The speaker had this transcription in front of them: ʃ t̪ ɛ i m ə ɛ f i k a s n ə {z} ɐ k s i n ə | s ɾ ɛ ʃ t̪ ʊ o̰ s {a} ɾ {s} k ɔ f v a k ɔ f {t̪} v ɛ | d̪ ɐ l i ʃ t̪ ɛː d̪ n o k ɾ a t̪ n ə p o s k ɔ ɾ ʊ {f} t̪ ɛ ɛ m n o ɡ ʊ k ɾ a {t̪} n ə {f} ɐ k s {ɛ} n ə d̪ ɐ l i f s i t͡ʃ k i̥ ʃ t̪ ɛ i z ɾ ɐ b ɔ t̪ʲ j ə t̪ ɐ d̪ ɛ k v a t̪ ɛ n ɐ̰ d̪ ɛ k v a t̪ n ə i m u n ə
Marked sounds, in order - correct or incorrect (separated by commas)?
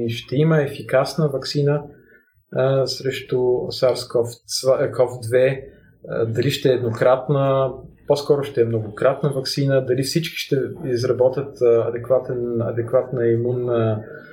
incorrect, correct, correct, incorrect, incorrect, correct, incorrect, incorrect